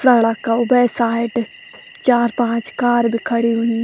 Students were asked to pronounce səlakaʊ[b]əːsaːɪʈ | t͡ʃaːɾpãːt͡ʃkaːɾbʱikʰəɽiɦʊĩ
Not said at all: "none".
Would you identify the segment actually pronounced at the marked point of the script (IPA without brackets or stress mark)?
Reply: b